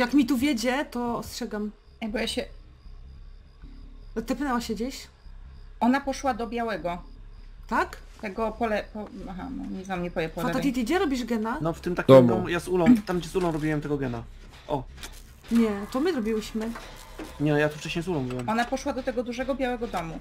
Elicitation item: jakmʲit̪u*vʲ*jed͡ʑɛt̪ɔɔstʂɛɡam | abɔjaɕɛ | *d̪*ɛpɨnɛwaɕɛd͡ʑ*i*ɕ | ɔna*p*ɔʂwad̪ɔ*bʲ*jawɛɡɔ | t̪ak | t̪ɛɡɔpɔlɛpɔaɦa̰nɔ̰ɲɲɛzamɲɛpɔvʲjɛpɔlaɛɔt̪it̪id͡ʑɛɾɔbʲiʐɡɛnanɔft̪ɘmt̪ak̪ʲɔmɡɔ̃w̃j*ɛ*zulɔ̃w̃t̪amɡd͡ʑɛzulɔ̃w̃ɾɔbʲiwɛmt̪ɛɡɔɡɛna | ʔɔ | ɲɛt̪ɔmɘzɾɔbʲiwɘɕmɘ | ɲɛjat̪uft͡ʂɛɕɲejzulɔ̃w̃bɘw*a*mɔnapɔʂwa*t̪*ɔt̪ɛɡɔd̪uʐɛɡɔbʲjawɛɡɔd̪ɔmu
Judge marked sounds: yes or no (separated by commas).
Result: yes, no, no, yes, yes, no, no, no